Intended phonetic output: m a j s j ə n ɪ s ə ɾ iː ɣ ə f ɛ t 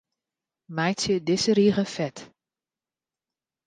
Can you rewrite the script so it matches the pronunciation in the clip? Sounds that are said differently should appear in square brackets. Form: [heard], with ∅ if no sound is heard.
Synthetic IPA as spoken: m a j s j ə [d] ɪ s ə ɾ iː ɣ ə f ɛ t